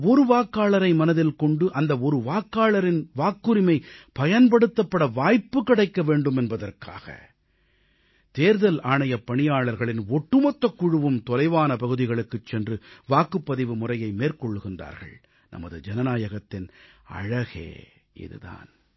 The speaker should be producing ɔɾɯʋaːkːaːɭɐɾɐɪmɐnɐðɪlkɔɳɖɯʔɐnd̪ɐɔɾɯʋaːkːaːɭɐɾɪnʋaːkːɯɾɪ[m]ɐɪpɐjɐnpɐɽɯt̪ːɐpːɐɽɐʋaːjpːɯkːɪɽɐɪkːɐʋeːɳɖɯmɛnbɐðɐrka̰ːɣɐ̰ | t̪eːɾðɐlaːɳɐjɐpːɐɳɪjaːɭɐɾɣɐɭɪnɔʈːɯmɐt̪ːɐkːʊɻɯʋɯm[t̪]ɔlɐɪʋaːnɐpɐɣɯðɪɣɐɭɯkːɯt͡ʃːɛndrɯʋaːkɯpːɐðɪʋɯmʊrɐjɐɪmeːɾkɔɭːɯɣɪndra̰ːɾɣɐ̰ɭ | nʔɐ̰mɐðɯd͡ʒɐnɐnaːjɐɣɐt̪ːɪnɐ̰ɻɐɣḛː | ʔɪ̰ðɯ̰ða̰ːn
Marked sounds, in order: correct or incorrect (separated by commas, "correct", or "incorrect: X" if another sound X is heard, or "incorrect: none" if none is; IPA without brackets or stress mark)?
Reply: correct, correct